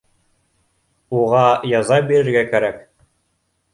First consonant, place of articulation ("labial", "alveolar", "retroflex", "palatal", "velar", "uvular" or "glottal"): uvular